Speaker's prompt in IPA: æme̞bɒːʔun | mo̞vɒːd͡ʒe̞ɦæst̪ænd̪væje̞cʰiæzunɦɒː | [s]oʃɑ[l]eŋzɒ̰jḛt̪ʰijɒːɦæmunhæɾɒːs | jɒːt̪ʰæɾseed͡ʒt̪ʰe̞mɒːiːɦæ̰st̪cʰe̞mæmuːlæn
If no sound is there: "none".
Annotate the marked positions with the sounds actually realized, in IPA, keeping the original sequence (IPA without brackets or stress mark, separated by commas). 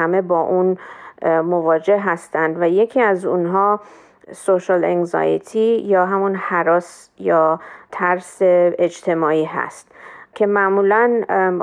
s, l